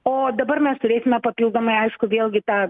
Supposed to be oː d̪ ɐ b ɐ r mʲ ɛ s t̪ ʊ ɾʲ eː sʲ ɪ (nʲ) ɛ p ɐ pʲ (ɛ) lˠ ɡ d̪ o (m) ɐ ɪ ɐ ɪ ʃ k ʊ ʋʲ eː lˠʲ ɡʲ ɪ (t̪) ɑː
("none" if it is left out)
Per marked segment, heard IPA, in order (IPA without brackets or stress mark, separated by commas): mʲ, i, m, t̪